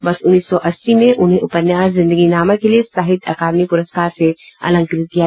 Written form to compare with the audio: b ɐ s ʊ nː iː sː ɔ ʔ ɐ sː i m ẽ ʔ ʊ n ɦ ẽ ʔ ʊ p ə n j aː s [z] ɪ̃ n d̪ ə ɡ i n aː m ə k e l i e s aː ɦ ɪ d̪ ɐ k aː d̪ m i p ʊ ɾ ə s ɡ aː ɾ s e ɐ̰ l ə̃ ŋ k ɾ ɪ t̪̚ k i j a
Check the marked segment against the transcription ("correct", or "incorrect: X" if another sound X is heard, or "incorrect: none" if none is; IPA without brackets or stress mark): correct